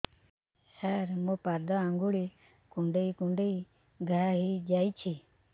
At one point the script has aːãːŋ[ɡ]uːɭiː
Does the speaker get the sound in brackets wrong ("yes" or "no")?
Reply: no